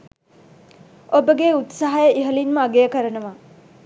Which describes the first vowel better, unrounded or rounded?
rounded